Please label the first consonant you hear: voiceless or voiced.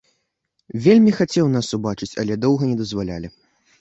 voiced